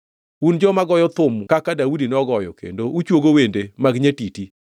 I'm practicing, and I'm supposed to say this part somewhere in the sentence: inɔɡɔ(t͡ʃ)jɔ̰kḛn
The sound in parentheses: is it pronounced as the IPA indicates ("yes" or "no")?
no